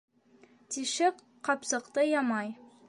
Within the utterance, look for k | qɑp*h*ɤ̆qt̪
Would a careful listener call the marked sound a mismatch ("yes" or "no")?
yes